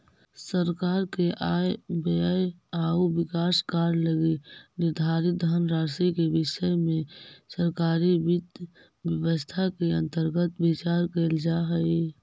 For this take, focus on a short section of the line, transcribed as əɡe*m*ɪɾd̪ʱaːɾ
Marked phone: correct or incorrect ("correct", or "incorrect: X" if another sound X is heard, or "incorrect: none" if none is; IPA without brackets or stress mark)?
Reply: incorrect: n